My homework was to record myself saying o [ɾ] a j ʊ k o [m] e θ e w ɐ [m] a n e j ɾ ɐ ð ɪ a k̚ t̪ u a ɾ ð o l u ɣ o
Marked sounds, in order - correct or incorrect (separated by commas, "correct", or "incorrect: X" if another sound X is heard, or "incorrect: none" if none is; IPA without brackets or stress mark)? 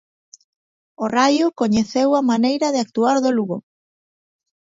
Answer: incorrect: r, incorrect: ɲ, correct